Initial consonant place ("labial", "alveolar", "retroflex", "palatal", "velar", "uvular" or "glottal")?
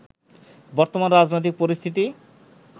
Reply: labial